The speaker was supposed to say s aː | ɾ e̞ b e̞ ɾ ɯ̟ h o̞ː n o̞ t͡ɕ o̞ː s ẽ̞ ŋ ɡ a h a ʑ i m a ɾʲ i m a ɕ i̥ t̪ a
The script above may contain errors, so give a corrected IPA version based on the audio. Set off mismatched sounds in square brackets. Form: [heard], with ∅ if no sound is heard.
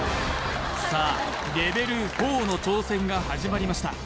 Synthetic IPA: s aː | ɾ e̞ b e̞ ɾ ɯ̟ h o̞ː n o̞ t͡ɕ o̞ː s ẽ̞ ŋ ɡ a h a ʑ i m a ɾʲ i m a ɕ i̥ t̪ a